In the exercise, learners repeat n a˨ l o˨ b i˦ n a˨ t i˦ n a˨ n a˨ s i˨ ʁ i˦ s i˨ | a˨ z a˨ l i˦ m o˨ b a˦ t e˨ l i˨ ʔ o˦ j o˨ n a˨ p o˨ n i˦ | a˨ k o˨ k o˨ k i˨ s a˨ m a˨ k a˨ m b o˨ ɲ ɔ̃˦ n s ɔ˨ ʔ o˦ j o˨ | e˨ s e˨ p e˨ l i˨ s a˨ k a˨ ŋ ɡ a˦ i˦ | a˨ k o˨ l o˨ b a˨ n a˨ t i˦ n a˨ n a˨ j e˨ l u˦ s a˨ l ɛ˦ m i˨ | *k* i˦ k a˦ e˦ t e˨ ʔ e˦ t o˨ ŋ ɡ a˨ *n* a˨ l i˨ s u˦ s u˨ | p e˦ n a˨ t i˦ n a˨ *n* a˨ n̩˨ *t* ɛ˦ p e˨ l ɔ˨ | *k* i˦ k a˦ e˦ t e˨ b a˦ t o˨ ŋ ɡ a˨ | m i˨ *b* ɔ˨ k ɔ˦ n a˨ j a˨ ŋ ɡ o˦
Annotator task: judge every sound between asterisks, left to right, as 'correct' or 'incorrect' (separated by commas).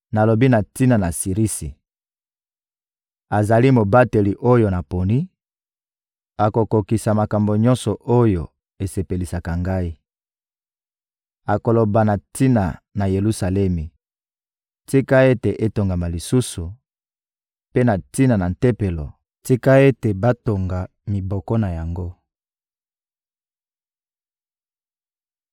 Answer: incorrect, incorrect, correct, correct, incorrect, correct